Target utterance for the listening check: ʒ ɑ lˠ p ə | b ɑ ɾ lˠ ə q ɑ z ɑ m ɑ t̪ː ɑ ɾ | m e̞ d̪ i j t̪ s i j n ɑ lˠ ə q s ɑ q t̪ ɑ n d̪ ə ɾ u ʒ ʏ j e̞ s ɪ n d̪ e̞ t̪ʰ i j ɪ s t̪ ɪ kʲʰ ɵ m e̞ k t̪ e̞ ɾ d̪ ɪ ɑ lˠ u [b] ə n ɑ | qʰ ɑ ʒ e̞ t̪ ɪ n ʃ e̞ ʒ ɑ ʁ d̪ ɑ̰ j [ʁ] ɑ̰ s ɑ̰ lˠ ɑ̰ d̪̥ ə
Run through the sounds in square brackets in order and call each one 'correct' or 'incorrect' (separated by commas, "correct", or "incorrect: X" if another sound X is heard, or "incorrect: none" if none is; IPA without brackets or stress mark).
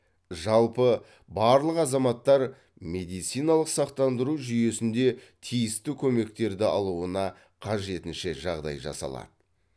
incorrect: none, incorrect: ʒ